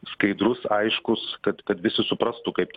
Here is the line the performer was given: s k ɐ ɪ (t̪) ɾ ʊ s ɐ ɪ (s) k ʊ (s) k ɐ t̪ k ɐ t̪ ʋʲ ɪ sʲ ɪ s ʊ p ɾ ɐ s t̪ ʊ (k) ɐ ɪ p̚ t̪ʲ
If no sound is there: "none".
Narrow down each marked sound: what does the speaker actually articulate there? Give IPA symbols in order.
d̪, ʃ, s, k

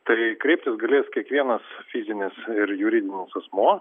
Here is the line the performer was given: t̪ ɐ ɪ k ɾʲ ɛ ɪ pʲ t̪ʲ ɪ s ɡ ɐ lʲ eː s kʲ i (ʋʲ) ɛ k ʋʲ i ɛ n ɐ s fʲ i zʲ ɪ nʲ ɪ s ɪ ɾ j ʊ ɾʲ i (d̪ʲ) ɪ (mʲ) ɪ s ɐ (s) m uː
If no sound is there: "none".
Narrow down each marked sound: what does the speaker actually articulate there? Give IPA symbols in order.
none, d̪ʲ, nʲ, s

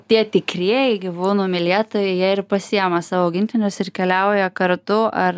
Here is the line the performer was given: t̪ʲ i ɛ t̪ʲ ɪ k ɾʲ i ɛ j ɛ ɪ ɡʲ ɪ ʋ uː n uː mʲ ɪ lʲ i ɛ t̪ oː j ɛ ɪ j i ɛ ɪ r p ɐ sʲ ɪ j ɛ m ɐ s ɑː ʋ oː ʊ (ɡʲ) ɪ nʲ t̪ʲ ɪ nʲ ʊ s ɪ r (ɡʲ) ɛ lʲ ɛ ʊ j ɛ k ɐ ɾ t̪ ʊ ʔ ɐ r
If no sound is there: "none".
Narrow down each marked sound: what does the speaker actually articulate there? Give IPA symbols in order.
ɡʲ, kʲ

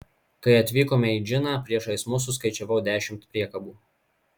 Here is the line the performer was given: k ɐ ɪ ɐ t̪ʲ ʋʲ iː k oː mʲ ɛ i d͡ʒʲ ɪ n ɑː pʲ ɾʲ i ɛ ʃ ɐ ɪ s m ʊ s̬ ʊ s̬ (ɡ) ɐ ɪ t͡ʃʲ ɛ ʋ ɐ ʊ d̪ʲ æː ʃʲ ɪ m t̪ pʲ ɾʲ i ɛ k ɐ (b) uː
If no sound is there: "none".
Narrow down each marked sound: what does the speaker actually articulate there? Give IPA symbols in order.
k, b

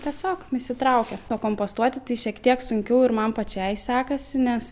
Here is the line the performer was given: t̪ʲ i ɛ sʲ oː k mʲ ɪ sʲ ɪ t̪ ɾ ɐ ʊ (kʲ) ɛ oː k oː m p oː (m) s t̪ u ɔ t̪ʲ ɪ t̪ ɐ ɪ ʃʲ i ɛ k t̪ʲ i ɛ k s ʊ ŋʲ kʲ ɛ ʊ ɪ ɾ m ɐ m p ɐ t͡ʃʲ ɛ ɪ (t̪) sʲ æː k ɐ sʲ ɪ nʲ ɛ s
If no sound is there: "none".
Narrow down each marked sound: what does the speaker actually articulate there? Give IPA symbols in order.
kʲ, none, none

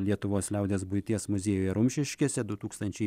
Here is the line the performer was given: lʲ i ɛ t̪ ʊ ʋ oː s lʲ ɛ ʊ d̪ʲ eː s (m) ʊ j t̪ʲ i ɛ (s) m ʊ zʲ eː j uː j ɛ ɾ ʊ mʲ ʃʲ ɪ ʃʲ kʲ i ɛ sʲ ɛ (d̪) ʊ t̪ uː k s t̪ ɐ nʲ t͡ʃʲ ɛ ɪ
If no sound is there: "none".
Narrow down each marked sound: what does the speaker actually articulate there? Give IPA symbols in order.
b, s, d̪

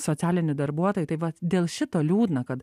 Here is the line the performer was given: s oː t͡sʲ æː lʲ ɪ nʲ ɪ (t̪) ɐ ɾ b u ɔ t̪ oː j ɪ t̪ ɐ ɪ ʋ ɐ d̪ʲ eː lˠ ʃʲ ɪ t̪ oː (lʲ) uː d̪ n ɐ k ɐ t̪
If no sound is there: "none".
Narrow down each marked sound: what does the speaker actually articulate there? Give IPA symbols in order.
d̪, lʲ

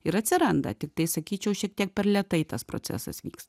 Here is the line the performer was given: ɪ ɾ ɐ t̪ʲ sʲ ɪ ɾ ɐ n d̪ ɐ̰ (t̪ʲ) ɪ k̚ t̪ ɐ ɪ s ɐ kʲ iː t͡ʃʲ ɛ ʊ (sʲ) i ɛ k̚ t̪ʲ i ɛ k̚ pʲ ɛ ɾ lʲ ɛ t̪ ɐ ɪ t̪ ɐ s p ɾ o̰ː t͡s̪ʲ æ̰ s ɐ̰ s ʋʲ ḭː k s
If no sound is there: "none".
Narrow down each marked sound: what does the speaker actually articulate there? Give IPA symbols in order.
t̪ʲ, ʃʲ

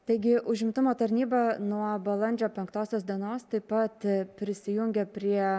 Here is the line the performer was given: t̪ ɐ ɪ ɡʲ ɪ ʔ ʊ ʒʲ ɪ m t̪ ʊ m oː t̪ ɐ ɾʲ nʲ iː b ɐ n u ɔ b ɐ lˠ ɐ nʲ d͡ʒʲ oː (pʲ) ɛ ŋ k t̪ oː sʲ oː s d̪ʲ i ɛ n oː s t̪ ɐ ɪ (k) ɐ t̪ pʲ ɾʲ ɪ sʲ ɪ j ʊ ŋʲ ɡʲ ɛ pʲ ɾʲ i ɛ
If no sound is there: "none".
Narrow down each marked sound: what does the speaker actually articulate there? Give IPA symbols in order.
pʲ, p

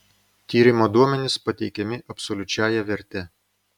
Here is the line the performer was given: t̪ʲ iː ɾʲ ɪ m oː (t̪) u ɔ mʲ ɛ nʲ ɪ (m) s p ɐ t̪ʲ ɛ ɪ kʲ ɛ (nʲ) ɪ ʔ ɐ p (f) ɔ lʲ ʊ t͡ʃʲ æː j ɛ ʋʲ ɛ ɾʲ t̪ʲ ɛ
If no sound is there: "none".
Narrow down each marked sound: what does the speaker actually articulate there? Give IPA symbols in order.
d̪, none, mʲ, s

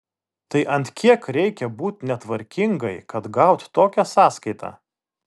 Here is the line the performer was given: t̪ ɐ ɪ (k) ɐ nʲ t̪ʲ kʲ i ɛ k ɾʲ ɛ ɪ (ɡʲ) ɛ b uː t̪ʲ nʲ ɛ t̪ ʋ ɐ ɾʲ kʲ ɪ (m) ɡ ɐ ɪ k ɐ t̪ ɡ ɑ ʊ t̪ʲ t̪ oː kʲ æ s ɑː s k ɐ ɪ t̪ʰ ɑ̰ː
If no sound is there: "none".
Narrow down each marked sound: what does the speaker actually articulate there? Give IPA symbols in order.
ʔ, kʲ, ŋ

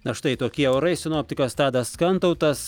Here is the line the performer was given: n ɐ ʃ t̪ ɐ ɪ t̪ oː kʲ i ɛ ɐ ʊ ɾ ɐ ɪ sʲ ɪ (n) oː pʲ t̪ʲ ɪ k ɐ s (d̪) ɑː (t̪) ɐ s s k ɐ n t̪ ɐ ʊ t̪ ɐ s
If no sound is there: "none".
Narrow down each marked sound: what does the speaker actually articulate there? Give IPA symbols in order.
n, t̪, d̪

